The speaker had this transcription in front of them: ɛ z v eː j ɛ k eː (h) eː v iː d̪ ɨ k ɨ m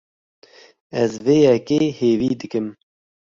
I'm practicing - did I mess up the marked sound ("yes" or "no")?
no